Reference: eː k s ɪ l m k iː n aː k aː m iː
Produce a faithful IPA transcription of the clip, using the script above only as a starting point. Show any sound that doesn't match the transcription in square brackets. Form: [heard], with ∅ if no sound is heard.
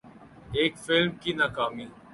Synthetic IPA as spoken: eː k [f] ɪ l m k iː n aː k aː m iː